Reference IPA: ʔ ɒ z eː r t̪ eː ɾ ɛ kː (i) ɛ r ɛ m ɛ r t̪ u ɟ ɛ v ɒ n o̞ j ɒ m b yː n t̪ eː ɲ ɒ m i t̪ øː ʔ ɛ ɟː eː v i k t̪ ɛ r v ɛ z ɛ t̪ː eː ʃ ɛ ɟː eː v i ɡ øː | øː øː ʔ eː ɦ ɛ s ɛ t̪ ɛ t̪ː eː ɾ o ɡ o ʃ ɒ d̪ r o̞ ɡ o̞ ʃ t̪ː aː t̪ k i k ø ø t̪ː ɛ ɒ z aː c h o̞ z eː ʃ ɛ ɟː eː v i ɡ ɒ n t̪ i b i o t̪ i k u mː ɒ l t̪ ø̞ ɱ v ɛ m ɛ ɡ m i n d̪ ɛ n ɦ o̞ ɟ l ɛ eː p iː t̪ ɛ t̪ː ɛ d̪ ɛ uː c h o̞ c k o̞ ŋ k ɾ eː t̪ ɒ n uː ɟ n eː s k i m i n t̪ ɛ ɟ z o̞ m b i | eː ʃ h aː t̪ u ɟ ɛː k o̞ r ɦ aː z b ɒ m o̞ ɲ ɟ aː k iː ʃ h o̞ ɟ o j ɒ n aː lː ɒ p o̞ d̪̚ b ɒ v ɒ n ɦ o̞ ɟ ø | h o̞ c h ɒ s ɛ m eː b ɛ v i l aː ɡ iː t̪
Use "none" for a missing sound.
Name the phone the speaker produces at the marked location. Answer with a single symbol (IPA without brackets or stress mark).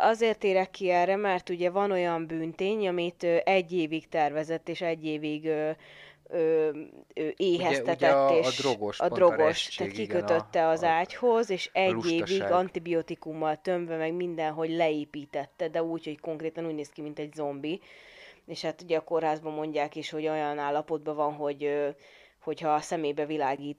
i